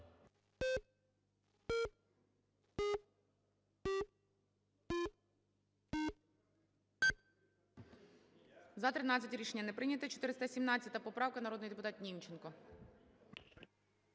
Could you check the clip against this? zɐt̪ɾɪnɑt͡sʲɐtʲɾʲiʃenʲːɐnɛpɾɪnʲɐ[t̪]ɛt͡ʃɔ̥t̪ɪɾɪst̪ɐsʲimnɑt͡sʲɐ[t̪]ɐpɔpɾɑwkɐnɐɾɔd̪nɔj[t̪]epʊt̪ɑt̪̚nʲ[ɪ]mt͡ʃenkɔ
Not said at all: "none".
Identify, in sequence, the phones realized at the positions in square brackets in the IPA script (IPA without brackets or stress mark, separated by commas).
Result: t̪, t̪, d̪, i